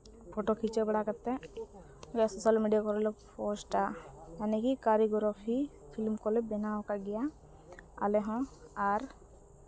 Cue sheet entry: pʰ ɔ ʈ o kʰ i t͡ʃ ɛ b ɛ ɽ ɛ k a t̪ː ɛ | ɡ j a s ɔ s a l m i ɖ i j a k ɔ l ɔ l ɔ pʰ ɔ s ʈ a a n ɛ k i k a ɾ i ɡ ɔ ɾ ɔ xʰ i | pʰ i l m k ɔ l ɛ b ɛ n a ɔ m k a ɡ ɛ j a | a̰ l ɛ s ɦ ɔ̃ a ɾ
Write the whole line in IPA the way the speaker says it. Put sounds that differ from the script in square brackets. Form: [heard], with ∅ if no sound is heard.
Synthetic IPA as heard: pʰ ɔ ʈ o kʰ i t͡ʃ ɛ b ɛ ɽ [a] k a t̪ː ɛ | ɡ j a s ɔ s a l m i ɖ i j a k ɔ [ɾ] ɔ l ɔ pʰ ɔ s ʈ a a n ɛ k i k a ɾ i ɡ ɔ ɾ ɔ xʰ i | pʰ i l m k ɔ l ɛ b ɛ n a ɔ [∅] k a ɡ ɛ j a | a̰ l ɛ [∅] ɦ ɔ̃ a ɾ